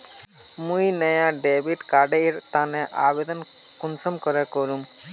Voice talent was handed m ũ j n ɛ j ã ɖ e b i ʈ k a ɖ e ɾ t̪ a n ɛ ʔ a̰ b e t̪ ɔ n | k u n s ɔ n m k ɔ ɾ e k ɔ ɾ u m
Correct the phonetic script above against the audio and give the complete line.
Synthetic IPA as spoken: m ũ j n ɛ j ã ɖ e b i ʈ k a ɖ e ɾ t̪ a n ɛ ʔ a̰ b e d̪ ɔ n | k u n s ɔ m k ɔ ɾ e k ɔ ɾ u m